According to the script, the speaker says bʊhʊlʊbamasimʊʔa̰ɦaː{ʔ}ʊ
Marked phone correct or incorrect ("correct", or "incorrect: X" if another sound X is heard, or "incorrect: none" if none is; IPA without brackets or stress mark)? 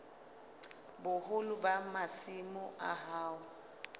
incorrect: none